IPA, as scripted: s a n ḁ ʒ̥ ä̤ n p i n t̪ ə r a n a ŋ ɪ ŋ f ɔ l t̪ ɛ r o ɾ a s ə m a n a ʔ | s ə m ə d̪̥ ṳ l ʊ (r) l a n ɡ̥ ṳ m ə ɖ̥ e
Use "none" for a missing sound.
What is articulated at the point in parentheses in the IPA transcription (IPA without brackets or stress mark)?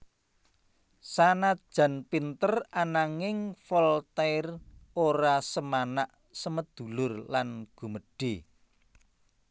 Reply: r